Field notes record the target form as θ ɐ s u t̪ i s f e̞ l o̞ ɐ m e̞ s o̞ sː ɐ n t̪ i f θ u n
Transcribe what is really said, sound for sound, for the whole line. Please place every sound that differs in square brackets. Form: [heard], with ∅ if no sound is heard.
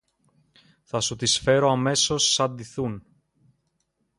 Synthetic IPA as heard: θ ɐ s u t̪ i s f e̞ [ɾ] o̞ ɐ m e̞ s o̞ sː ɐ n [d̪] i [∅] θ u n